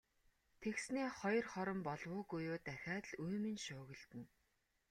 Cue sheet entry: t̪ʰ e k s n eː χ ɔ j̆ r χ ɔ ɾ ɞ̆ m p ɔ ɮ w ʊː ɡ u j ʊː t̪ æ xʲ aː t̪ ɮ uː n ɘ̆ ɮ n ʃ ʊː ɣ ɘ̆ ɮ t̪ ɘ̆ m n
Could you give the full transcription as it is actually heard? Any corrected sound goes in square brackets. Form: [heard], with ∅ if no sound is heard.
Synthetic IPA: t̪ʰ e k s n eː χ ɔ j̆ r χ ɔ ɾ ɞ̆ m p ɔ ɮ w ʊː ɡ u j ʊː t̪ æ xʲ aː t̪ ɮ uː [m] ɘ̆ [∅] n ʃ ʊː ɣ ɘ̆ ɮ t̪ ɘ̆ [∅] n

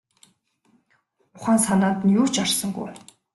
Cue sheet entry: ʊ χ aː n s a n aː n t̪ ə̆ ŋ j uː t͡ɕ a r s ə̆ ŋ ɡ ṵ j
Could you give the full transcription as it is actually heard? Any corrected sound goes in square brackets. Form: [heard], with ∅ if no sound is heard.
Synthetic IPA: ʊ χ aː n s a n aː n t̪ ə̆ [n] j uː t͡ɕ a r s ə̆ ŋ ɡ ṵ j

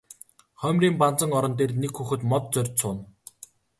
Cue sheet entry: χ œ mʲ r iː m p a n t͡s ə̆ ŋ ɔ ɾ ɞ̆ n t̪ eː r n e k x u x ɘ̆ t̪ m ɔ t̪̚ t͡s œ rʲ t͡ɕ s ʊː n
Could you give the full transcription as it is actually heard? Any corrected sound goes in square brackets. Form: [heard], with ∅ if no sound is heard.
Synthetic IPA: χ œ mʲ r iː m p a n t͡s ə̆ ŋ ɔ ɾ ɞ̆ n t̪ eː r n e k x u x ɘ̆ t̪ m ɔ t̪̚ t͡s œ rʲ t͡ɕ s ʊː n

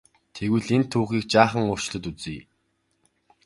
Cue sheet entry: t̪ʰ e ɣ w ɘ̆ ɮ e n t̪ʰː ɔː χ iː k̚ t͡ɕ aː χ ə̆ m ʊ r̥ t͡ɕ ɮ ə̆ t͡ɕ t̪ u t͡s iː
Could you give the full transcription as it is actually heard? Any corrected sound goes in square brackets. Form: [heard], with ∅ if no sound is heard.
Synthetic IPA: t̪ʰ e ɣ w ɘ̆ ɮ e n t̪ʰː [uː] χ iː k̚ t͡ɕ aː χ ə̆ [ŋ] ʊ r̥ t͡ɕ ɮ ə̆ [∅] t̪ u t͡s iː

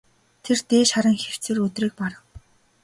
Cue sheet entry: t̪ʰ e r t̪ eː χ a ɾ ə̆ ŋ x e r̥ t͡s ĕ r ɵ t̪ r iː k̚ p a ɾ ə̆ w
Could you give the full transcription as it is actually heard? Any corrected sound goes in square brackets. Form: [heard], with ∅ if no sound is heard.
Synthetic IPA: t̪ʰ e r t̪ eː [ʃ] a ɾ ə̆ ŋ x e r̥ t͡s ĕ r ɵ t̪ r iː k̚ p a ɾ ə̆ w

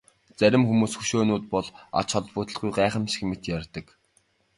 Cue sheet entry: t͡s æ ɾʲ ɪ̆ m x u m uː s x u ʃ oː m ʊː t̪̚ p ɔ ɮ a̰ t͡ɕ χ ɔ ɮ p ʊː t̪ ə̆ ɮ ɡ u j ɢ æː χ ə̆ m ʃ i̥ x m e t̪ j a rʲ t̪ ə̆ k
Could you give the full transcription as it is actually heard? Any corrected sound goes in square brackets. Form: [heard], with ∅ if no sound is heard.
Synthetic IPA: t͡s æ ɾʲ ɪ̆ m x u m uː s x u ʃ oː [n] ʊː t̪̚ p ɔ ɮ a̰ t͡ɕ χ ɔ ɮ p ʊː t̪ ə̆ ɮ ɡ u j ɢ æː χ ə̆ m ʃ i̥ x m e t̪ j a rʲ t̪ ə̆ k

